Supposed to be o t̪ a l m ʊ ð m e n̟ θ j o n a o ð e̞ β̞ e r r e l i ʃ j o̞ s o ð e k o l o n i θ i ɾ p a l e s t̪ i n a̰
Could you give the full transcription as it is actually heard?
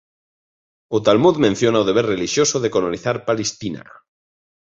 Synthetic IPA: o t̪ a l m u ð m ẽ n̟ θ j o n a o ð e̞ β̞ e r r e l i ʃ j o̞ s o ð e k o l o n i θ a ɾ p a l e s t̪ i n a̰